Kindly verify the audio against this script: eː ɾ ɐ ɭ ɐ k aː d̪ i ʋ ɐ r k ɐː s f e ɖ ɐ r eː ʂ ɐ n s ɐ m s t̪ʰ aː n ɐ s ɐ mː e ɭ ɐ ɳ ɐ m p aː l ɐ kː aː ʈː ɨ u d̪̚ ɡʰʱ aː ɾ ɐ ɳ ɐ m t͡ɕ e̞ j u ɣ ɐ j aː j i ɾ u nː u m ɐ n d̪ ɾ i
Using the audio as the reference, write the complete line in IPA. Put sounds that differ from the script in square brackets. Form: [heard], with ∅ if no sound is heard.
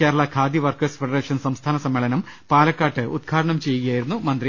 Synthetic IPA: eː ɾ ɐ ɭ ɐ [kʰ] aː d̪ i ʋ ɐ r k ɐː s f e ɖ ɐ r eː ʂ ɐ n s ɐ m s t̪ʰ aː n ɐ s ɐ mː e ɭ ɐ [n] ɐ m p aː l ɐ kː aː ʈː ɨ u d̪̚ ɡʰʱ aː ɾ ɐ ɳ ɐ m t͡ɕ e̞ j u ɣ ɐ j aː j i ɾ u nː u m ɐ n d̪ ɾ i